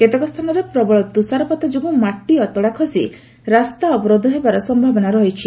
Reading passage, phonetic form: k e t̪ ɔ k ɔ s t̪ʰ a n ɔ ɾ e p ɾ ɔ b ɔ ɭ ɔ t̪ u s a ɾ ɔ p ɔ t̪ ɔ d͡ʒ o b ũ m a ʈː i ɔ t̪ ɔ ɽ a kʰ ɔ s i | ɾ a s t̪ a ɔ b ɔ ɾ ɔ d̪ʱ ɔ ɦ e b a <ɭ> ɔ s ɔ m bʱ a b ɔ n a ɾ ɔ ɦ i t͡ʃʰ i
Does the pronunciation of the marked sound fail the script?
yes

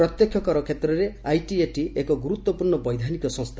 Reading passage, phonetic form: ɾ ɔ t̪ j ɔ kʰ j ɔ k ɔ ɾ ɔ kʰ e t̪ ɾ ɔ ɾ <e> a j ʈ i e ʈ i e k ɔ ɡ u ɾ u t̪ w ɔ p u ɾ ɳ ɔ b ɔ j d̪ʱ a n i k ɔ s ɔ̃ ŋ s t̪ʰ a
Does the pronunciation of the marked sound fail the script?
no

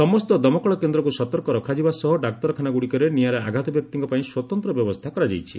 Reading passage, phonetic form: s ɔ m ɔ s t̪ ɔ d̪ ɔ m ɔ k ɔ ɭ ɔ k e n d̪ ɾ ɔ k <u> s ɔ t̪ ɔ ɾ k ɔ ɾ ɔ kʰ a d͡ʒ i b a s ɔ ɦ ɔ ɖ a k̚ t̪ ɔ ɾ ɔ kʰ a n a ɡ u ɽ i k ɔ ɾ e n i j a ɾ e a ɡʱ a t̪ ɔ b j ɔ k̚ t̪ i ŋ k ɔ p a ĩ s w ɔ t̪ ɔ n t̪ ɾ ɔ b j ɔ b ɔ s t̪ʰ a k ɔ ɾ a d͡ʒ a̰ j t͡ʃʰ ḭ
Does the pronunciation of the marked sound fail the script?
no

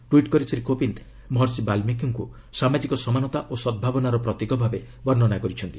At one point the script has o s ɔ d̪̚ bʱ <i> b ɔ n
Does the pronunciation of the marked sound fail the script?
yes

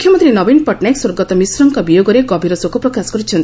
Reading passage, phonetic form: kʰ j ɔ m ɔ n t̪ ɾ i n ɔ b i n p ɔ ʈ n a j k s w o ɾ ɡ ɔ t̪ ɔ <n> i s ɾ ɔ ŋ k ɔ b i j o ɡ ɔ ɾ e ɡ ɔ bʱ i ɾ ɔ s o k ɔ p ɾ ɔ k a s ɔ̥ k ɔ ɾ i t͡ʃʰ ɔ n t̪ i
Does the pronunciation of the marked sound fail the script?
yes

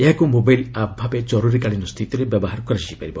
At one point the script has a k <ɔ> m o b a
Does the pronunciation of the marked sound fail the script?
yes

